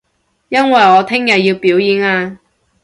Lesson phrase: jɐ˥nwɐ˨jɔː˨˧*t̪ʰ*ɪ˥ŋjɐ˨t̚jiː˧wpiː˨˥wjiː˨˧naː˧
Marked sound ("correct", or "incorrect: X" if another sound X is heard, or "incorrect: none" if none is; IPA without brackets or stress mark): correct